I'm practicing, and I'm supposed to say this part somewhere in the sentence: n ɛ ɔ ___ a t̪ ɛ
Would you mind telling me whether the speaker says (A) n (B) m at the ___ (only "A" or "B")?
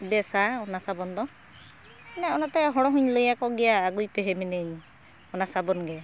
A